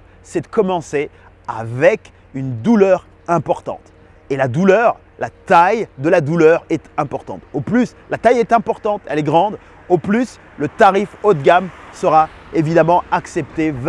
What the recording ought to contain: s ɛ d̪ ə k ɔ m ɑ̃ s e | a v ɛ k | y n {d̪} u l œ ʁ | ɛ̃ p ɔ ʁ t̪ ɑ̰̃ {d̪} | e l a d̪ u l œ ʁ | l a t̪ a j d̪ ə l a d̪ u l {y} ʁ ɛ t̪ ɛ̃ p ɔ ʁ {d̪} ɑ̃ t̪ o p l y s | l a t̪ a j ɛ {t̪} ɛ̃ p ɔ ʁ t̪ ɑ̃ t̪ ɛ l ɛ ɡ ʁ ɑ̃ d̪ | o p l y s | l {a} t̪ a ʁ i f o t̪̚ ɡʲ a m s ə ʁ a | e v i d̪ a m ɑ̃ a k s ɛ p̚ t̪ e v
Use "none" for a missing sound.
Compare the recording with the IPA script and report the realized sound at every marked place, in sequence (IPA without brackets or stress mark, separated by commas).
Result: d̪, t̪, œ, t̪, t̪, ə